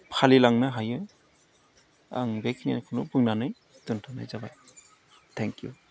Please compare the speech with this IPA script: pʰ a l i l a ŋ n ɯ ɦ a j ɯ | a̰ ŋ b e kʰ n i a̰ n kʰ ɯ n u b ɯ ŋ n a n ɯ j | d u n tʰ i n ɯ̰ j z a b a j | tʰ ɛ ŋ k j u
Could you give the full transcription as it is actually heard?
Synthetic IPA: pʰ a l i l a ŋ n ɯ ɦ a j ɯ | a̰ ŋ b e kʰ n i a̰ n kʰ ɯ n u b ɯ ŋ n a n ɯ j | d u n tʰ a n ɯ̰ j z a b a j | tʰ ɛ ŋ k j u